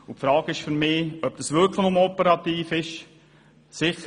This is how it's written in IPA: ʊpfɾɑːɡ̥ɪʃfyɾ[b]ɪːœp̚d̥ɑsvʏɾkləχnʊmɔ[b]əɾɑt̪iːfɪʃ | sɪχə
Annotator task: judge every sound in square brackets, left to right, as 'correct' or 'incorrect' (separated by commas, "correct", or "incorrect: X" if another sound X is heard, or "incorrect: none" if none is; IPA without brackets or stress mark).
incorrect: m, incorrect: p